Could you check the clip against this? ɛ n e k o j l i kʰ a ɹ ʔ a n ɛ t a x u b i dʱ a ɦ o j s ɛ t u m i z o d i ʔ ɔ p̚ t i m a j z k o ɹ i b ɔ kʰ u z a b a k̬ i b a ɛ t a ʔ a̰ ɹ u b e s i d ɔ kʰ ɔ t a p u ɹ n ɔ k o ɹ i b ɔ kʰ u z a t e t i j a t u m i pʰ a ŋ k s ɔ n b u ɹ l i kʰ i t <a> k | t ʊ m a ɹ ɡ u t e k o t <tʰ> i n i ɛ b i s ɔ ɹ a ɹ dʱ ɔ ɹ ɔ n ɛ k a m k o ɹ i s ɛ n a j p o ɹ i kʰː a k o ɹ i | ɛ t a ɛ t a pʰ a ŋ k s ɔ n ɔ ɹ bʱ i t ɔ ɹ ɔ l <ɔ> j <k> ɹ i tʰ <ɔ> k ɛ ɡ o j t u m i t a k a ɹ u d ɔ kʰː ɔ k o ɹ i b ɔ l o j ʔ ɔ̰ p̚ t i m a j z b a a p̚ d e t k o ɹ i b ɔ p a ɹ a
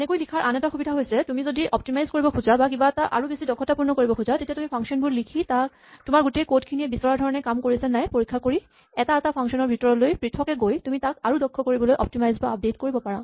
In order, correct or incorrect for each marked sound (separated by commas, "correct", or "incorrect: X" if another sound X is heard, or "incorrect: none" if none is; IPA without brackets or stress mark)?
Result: correct, incorrect: kʰ, incorrect: o, incorrect: p, correct